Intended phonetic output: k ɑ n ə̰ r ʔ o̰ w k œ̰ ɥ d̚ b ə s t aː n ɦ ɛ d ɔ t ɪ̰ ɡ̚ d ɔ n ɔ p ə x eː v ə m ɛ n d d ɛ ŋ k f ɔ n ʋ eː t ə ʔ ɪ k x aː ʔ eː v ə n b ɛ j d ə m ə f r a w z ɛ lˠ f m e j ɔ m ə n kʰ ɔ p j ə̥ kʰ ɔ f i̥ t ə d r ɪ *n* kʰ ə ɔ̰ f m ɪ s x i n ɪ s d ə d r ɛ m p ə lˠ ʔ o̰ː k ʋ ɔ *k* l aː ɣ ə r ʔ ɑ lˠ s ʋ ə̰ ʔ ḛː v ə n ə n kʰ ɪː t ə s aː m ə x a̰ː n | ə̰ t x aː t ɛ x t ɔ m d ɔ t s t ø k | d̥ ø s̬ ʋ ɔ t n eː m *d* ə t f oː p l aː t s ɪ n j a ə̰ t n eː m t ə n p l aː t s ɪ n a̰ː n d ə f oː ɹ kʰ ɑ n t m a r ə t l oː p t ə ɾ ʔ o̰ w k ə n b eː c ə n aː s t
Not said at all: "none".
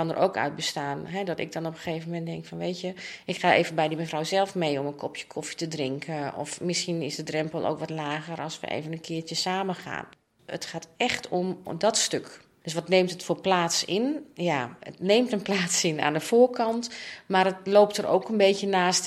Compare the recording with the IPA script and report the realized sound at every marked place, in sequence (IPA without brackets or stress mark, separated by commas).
ŋ, t, t